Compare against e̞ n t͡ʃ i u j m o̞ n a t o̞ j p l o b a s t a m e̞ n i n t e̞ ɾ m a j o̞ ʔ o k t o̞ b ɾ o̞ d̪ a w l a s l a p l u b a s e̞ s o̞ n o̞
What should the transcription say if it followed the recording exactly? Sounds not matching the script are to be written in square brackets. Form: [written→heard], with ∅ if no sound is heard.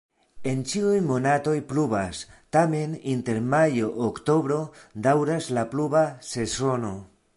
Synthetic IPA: e̞ n t͡ʃ i u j m o̞ n a t o̞ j p l [o→u] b a s t a m e̞ n i n t e̞ ɾ m a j o̞ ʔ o k t o̞ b ɾ o̞ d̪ a w [l→ɾ] a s l a p l u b a s e̞ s o̞ n o̞